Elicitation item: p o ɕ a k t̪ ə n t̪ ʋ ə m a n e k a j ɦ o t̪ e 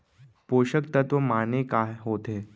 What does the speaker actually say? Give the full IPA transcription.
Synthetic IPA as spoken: p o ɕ ə k t̪ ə t̪ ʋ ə m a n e k a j ɦ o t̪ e